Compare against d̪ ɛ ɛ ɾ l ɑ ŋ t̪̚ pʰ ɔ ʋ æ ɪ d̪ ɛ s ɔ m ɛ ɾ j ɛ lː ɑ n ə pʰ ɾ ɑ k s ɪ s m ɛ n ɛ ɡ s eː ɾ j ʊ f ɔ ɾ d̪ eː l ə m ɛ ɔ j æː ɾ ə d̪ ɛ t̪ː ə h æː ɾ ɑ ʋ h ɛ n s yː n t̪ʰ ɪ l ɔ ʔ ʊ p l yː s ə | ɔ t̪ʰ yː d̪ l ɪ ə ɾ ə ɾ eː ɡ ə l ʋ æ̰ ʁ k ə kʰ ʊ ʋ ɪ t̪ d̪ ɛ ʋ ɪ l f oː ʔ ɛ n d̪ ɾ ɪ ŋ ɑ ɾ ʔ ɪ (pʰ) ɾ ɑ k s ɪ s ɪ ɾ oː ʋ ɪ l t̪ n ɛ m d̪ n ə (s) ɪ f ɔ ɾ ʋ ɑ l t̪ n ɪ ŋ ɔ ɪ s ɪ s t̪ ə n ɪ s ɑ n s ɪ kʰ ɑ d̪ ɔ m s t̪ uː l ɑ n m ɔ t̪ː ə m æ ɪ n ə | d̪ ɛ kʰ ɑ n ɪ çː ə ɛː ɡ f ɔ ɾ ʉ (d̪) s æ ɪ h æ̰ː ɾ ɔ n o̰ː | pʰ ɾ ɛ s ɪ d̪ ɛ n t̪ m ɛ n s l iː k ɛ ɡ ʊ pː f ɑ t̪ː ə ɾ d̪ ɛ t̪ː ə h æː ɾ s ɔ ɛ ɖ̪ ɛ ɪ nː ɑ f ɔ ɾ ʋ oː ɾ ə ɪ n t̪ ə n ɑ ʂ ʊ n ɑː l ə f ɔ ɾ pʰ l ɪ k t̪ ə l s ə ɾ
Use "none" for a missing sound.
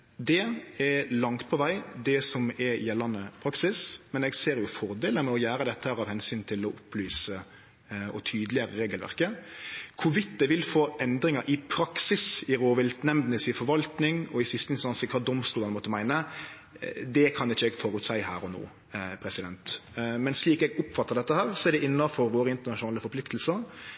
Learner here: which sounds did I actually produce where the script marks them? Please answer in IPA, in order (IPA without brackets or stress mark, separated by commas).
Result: pʰ, s, t̪